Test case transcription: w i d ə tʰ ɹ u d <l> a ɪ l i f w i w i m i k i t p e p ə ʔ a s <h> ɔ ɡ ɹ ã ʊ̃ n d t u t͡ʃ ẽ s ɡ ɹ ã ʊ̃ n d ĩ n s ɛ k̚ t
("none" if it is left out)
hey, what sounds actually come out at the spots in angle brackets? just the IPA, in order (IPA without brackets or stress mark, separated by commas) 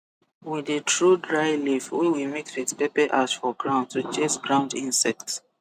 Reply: ɹ, f